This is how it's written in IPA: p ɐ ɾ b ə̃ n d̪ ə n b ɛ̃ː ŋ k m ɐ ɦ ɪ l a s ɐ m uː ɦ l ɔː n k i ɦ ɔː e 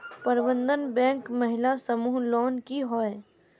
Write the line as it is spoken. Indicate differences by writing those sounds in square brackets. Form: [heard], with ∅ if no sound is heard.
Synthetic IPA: p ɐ ɾ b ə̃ n d̪ ə n b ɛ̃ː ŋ k m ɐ ɦ ɪ l a s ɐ m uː ɦ l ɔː n k i ɦ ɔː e